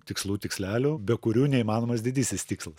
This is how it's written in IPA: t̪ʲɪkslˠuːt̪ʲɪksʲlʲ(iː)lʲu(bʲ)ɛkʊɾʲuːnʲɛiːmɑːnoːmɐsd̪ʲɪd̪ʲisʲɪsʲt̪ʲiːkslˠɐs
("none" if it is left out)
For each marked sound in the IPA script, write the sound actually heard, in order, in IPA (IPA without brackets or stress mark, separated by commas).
æː, bʲ